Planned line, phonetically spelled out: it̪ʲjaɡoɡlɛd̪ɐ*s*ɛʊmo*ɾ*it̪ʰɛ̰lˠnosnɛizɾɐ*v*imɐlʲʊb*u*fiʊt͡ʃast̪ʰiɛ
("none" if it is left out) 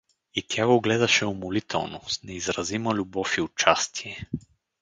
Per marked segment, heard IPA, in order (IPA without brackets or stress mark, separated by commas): ʃ, l, z, ɔ